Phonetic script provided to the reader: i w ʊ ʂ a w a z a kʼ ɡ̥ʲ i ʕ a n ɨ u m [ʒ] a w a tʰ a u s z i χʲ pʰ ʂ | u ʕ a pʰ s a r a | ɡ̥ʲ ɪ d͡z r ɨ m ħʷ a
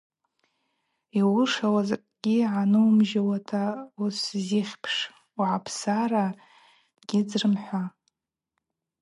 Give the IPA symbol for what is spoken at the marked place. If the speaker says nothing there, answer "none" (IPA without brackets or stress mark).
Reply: ʒ